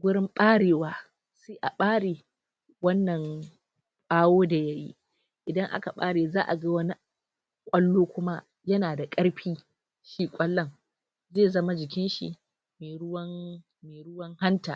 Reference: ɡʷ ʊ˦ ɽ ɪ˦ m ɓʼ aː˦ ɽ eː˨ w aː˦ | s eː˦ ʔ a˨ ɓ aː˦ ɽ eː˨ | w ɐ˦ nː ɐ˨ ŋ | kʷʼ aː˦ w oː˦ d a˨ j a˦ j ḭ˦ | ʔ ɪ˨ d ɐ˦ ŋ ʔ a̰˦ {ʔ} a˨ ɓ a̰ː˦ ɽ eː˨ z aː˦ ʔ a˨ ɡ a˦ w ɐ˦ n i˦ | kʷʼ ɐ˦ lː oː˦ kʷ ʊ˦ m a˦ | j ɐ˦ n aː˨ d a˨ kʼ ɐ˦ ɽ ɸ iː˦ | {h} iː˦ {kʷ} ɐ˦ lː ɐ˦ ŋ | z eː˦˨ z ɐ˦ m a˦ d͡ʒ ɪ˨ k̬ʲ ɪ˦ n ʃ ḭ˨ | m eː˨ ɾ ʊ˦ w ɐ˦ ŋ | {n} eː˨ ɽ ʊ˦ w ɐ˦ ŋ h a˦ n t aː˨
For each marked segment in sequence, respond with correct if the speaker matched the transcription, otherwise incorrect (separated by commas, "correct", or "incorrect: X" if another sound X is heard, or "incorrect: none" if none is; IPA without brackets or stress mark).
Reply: incorrect: k, incorrect: ʃ, incorrect: kʷʼ, incorrect: m